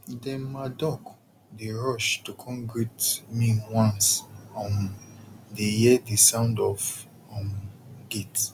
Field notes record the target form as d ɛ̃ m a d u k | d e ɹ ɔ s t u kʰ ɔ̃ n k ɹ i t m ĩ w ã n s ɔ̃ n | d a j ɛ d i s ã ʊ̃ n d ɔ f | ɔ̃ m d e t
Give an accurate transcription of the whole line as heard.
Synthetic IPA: d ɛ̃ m a d ɔ k | d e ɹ ɔ ʃ t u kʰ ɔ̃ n ɡ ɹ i t m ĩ w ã n s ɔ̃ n | d e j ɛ d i s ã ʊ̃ n d ɔ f | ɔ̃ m ɡ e t

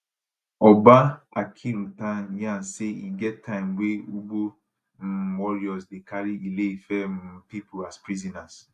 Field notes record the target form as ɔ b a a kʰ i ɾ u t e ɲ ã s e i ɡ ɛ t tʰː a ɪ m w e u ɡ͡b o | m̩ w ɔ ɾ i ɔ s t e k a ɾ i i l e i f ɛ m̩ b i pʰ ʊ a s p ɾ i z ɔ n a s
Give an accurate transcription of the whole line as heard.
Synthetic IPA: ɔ b a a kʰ i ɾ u t a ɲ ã s e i ɡ ɛ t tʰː a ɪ m w e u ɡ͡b o | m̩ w ɔ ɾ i ɔ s d e k a ɾ i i l e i f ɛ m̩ p i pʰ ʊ a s p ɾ i z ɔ n a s

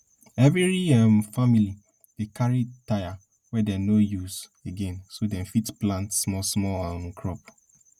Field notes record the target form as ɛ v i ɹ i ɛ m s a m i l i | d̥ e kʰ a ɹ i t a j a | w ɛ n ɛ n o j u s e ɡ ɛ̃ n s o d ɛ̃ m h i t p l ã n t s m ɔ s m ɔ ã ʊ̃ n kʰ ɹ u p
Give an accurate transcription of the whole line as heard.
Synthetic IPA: ɛ v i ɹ i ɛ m f a m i l i | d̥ e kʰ a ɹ i t a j a | w ɛ d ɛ n o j u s e ɡ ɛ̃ n s o d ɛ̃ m f i t p l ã n t s m ɔ s m ɔ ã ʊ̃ n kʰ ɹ ɔ p

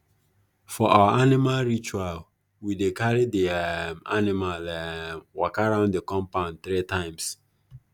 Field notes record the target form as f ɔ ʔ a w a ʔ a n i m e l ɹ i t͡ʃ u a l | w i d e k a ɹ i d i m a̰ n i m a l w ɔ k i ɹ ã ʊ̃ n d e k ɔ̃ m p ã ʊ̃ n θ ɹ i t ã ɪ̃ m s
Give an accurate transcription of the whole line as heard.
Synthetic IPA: f ɔ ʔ a w a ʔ a n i m a l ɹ i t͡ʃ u a l | w i d e k a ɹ i d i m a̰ n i m a l w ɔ k a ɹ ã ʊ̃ n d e k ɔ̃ m p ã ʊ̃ n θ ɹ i t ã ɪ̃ m s

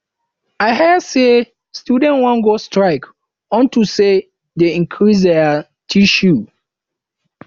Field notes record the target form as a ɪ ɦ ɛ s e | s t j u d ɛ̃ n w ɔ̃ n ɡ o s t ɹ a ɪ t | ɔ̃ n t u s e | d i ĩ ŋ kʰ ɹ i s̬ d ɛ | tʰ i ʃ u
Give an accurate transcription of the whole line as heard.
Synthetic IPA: a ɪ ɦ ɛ s e | s t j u d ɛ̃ n w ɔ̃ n ɡ o s t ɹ a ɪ k | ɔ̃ n t u s e | d e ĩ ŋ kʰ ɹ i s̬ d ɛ | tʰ i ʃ u

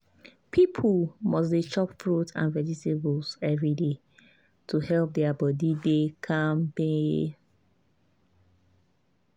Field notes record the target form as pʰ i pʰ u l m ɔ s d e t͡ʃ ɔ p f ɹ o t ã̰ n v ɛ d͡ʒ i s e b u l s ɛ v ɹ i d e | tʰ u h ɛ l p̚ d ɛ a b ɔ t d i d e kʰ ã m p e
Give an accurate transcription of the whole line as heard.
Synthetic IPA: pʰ i pʰ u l m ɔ s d e t͡ʃ ɔ p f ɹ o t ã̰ n v ɛ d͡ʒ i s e b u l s ɛ v ɹ i d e | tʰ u h ɛ l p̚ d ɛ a b ɔ d i d e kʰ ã m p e

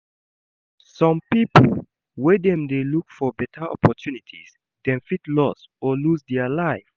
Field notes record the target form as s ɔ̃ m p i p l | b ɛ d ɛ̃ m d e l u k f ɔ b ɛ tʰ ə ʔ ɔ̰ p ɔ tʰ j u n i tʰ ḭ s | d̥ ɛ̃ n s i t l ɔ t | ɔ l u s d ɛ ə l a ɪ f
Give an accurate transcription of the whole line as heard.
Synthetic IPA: s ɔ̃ m p i p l | w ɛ d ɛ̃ m d e l u k f ɔ b ɛ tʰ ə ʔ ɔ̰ p ɔ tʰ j u n i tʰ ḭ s | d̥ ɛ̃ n f i t l ɔ s | ɔ l u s d ɛ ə l a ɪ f

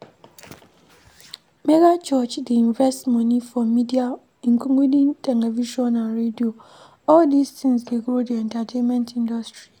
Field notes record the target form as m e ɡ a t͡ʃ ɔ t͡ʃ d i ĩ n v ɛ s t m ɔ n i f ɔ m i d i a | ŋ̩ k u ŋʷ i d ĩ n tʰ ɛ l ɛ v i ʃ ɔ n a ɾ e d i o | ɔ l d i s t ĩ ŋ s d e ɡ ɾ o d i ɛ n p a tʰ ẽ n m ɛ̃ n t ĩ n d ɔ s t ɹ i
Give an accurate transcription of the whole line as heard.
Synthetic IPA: m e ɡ a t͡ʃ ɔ t͡ʃ d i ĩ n v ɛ s t m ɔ n i f ɔ m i d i a | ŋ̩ k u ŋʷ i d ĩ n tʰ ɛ l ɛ v i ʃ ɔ n a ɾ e d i o | ɔ l d i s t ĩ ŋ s d e ɡ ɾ o d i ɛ n t a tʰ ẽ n m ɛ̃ n t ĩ n d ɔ s t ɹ i

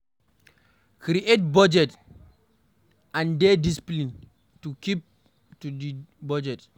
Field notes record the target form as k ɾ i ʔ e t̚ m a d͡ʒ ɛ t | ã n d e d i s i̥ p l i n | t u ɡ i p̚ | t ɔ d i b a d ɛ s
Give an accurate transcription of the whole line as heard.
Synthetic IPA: k ɾ i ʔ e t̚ b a d͡ʒ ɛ t | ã n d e d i s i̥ p l i n | t u k i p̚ | t u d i b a d͡ʒ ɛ t

